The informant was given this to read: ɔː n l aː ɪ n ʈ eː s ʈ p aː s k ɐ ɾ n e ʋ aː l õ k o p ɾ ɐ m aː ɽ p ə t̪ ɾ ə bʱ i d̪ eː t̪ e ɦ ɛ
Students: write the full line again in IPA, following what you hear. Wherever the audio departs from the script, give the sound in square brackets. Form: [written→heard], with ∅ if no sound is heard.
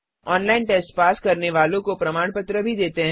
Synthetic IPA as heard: ɔː n l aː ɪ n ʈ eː s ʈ p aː s k ɐ ɾ n e ʋ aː l õ k o p ɾ ɐ m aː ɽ p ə t̪ ɾ ə bʱ i d̪ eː t̪ e ɦ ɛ